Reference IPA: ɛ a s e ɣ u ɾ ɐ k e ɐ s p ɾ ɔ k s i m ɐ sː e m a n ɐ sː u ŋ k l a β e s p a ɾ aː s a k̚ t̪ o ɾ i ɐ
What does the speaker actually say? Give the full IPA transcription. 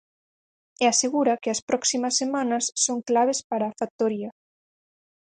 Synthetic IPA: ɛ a s e ɣ u ɾ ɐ k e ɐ s p ɾ ɔ k s i m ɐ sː e m a n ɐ sː o ŋ k l a β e s p a ɾ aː f a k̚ t̪ o ɾ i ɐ